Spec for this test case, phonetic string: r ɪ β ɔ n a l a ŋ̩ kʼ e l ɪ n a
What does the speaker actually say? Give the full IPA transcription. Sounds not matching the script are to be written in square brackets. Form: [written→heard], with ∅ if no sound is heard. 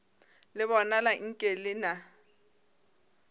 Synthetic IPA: [r→l] ɪ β ɔ n a l a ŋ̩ kʼ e l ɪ n a